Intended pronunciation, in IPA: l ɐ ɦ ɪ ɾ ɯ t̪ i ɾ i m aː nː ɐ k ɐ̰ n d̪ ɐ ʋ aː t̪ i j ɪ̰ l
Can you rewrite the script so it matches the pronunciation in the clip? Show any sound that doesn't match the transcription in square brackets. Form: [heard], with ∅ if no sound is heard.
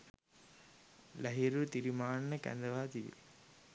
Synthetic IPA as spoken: l ɐ ɦ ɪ ɾ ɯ t̪ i ɾ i m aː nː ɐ k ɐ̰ n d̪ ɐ ʋ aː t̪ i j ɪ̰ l

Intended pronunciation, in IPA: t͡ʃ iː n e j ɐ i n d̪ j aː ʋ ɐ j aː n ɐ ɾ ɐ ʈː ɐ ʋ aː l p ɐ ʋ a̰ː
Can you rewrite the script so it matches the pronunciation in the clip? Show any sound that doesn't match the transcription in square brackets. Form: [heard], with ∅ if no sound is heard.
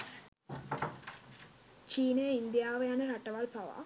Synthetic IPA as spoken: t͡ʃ iː n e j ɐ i n d̪ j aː ʋ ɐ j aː n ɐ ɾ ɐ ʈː ɐ ʋ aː l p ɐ ʋ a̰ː

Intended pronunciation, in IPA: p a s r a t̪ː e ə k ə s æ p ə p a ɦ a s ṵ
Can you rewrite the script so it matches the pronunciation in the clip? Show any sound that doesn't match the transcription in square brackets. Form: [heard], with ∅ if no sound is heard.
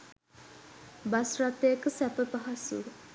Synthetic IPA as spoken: [b] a s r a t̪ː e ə k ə s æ p ə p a ɦ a s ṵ

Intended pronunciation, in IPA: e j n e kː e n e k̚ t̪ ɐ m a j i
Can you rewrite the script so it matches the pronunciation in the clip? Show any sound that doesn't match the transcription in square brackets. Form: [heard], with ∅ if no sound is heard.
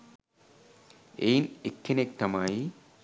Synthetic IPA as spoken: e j n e kː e n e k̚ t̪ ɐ m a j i

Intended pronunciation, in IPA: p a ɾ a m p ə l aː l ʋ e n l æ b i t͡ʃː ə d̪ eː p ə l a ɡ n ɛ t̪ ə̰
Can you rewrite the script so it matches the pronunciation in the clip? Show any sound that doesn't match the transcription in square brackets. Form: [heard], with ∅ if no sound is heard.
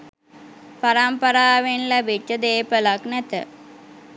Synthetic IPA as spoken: p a ɾ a m p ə [ɾ] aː [∅] ʋ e n l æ b i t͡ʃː ə d̪ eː p ə l a [k] n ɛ t̪ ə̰

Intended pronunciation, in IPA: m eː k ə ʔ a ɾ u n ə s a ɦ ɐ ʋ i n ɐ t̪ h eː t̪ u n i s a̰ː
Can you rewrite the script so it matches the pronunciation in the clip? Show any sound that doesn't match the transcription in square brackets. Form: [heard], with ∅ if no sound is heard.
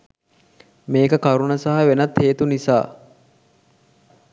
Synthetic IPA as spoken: m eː k ə [k] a ɾ u n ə s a ɦ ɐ ʋ [e] n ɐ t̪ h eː t̪ u n i s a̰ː

